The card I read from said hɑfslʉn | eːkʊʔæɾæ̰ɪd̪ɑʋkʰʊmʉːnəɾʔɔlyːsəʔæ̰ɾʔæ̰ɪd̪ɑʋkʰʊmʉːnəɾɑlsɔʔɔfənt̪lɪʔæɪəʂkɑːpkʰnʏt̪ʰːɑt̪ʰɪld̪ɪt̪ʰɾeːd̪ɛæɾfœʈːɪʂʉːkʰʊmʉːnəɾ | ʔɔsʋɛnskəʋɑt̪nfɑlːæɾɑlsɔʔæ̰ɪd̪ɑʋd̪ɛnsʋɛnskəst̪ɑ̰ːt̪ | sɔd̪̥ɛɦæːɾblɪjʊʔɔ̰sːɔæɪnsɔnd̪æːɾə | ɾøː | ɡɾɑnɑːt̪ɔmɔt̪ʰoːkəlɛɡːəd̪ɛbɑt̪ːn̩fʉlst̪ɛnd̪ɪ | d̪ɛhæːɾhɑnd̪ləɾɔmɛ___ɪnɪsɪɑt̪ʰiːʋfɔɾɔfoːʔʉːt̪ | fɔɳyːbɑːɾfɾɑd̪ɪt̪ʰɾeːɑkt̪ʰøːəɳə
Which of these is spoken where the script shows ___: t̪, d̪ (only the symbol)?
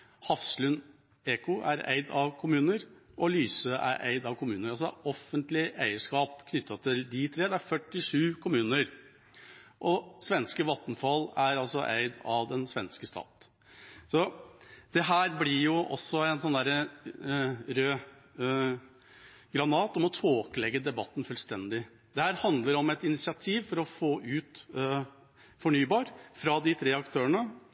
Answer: t̪